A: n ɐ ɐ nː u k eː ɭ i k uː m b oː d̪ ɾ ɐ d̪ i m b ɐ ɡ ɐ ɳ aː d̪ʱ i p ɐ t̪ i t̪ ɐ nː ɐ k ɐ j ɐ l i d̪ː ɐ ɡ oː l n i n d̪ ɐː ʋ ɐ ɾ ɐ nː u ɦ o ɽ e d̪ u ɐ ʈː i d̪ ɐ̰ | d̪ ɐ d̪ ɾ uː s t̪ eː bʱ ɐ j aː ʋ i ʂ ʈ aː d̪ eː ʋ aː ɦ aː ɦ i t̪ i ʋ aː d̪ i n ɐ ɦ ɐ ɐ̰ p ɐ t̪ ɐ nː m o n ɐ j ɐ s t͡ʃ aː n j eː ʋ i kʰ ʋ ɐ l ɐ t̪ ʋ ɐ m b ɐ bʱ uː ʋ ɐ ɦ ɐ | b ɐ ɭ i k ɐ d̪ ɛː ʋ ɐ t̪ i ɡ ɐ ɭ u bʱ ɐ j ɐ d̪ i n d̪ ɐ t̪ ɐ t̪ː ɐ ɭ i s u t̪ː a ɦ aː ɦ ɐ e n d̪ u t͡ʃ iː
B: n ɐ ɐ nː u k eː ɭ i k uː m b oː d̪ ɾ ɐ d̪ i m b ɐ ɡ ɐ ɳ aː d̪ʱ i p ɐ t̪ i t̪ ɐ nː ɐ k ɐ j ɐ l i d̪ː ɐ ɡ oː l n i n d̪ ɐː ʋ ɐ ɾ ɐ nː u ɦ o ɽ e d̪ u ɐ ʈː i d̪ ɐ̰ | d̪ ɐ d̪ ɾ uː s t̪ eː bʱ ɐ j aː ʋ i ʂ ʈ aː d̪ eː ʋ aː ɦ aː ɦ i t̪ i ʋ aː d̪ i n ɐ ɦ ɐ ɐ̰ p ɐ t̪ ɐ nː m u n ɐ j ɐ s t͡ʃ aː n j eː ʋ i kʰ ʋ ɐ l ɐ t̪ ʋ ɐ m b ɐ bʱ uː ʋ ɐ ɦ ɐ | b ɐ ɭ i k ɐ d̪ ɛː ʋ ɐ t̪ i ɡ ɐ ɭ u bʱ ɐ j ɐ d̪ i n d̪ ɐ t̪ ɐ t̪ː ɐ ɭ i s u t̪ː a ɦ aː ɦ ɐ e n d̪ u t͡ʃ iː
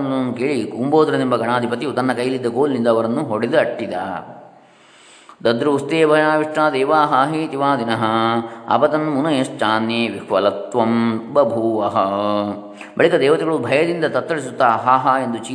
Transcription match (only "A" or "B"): B